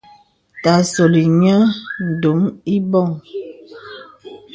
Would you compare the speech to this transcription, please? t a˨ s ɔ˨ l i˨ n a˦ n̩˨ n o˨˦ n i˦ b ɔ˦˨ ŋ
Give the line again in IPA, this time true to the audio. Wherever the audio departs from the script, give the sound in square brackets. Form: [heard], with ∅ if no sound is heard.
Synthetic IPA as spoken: t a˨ s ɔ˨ l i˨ [ɲ] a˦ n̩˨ [d] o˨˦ [m] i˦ b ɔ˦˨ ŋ